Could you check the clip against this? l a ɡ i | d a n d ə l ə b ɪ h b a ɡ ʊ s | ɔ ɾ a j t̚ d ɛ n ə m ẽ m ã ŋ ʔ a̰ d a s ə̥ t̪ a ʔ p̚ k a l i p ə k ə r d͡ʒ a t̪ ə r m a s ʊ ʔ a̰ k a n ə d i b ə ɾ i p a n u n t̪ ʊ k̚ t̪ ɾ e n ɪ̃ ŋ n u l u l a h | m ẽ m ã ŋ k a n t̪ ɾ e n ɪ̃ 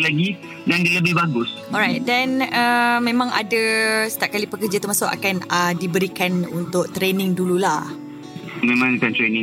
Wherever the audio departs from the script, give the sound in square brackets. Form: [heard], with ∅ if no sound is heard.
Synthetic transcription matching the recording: l a ɡ i | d a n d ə l ə b ɪ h b a ɡ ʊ s | ɔ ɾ a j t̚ d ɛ n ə m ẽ m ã ŋ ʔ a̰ d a s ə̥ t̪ a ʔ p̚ k a l i p ə k ə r d͡ʒ a t̪ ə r m a s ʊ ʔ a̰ k a n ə d i b ə ɾ i [k] a n u n t̪ ʊ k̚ t̪ ɾ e n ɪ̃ ŋ [d] u l u l a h | m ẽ m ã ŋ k a n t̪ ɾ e n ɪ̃